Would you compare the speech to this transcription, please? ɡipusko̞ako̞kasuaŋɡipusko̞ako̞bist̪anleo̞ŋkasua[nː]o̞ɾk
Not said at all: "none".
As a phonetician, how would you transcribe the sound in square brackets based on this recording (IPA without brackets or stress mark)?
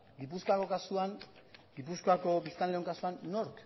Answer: nː